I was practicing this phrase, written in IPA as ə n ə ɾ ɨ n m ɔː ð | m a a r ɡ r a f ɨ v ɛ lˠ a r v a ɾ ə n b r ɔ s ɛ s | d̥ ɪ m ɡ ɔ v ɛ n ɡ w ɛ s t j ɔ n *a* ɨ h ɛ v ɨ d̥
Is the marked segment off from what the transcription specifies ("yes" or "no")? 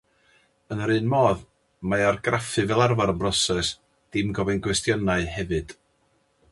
no